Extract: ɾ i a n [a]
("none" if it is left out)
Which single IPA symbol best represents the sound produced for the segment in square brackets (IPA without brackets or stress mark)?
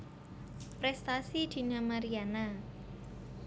a